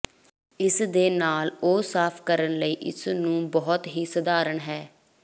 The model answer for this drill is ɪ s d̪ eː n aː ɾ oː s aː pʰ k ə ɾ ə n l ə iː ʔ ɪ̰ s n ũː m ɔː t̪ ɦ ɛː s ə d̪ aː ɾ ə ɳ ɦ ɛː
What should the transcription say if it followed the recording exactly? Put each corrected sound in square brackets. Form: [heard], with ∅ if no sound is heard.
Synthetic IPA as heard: ɪ s d̪ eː n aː [l] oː s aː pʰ k ə ɾ ə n l ə iː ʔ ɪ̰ s n ũː [b] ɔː t̪ ɦ [iː] s ə d̪ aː ɾ ə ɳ ɦ ɛː